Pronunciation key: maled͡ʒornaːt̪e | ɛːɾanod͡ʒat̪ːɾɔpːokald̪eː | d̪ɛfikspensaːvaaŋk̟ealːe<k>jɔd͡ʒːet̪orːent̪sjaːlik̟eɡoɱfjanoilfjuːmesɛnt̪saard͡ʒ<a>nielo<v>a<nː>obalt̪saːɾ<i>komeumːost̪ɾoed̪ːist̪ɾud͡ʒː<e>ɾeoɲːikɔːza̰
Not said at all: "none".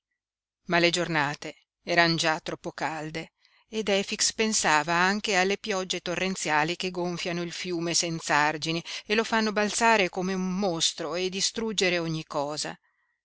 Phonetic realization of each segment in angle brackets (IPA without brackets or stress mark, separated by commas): p, i, f, nː, e, e